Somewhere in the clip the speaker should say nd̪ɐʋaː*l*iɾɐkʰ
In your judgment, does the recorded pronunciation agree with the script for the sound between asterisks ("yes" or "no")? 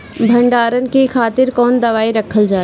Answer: no